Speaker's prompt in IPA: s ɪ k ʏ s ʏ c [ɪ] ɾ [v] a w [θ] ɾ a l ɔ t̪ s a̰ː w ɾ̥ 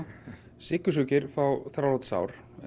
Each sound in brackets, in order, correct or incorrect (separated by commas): correct, incorrect, correct